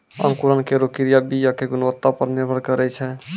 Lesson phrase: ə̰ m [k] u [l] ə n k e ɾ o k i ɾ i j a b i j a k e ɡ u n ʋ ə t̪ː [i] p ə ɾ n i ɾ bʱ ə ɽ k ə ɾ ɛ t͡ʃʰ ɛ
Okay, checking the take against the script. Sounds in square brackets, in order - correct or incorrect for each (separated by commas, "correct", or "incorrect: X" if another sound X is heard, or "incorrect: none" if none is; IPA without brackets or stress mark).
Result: correct, incorrect: ɾ, incorrect: a